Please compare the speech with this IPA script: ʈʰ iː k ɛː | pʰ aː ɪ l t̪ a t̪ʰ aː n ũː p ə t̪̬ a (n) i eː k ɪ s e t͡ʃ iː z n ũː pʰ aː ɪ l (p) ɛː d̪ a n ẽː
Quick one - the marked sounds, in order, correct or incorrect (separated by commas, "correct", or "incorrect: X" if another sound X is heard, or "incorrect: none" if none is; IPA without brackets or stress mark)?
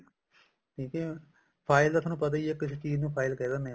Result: incorrect: none, incorrect: k